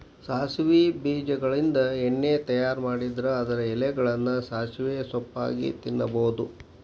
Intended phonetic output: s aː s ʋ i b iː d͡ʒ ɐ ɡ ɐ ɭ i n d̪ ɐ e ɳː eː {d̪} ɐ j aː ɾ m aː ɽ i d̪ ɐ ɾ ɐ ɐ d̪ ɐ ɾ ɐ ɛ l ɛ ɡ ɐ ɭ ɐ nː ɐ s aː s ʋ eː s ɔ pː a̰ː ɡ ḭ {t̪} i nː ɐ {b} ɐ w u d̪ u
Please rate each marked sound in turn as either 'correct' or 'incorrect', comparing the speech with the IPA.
incorrect, correct, correct

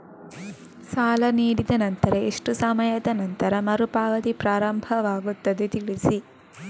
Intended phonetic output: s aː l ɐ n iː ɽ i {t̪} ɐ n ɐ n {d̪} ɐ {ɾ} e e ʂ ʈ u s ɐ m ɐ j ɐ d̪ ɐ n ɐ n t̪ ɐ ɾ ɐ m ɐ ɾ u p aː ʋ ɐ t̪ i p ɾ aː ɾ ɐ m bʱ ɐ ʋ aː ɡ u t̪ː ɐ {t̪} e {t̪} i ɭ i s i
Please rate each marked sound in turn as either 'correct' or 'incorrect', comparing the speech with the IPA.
incorrect, incorrect, correct, incorrect, correct

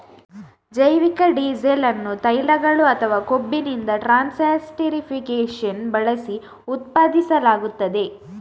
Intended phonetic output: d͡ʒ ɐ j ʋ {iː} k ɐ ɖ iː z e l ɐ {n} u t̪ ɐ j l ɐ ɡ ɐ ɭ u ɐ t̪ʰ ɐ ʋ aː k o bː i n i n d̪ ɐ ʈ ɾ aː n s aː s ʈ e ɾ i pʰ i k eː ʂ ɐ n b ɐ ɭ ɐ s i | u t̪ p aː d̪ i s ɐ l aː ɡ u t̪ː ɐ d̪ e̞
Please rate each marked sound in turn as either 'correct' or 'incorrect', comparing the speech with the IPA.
incorrect, incorrect

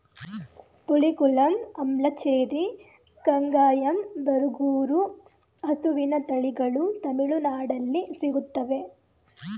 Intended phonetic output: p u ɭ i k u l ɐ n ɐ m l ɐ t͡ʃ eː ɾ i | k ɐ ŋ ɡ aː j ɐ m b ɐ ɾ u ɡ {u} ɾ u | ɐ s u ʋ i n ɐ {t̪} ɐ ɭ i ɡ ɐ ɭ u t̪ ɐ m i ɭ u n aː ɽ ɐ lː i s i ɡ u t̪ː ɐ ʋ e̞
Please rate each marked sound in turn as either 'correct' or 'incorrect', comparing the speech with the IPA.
incorrect, correct

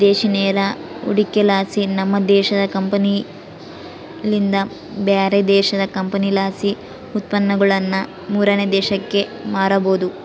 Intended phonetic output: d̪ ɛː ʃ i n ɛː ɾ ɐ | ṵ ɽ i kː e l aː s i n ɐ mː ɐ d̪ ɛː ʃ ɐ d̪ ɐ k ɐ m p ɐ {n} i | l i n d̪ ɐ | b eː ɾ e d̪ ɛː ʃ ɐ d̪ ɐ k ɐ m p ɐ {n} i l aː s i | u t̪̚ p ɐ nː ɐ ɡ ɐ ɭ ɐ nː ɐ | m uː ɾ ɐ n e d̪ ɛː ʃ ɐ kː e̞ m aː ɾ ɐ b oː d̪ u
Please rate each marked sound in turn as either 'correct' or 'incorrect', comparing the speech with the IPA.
correct, correct

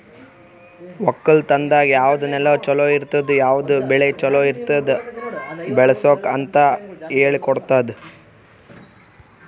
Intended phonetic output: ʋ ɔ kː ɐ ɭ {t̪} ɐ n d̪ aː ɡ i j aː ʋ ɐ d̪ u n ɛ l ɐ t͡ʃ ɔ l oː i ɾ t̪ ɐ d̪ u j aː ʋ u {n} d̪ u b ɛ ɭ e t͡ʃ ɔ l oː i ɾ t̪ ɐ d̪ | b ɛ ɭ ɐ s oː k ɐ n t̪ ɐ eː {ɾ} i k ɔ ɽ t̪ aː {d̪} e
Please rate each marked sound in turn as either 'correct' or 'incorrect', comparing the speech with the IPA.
correct, incorrect, incorrect, correct

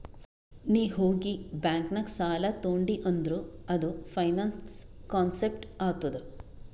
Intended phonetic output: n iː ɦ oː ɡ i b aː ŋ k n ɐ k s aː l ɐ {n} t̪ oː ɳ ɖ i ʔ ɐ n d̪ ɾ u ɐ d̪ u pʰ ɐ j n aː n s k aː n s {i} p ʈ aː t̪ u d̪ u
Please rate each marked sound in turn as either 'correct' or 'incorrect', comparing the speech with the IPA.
incorrect, incorrect

